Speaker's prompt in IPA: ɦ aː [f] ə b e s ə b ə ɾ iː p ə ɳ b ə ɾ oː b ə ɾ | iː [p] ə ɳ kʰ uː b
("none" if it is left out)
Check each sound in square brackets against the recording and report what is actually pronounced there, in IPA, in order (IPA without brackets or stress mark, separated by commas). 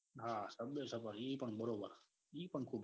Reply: s, p